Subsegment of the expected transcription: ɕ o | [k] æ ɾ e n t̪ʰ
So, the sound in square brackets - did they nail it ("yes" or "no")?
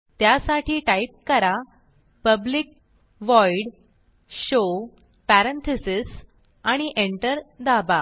no